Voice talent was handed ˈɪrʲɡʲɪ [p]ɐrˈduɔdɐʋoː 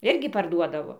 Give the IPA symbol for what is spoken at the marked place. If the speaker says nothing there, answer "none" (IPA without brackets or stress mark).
p